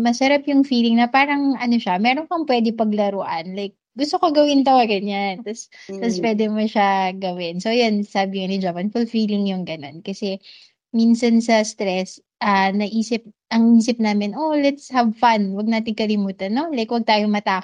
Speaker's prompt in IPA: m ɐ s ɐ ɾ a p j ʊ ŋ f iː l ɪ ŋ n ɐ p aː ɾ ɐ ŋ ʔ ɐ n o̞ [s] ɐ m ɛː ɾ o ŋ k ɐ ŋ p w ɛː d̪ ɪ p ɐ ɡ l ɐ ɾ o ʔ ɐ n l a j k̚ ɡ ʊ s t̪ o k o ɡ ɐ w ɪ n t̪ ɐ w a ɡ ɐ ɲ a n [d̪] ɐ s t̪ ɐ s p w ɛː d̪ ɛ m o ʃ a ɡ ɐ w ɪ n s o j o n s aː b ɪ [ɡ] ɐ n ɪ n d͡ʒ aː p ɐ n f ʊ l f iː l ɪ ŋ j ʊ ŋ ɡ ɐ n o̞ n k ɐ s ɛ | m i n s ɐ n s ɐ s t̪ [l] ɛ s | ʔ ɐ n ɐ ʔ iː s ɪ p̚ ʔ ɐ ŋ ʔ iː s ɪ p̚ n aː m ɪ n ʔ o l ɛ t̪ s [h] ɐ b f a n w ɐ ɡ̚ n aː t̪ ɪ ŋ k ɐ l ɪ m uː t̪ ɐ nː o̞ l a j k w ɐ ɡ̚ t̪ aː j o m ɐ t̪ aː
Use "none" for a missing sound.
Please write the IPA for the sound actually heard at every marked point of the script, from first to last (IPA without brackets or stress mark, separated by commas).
ʃ, t̪, ŋ, ɾ, h